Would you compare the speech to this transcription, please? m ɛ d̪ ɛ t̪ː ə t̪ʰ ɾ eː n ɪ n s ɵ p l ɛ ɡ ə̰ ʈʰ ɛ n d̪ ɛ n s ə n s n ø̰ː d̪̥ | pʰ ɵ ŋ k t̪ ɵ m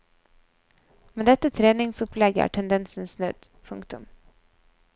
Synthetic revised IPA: m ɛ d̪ ɛ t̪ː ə t̪ʰ ɾ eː n ɪ ŋ s ɵ p l ɛ ɡ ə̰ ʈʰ ɛ n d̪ ɛ n s ə n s n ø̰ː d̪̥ | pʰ ɵ ŋ k t̪ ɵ m